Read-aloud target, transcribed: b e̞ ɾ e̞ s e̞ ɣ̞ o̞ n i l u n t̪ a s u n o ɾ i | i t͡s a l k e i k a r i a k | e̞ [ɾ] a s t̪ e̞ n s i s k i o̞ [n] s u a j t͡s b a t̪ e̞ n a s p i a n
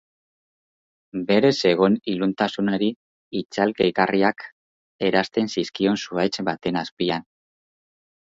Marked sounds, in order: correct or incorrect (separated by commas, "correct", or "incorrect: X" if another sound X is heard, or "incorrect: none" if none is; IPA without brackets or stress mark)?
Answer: correct, correct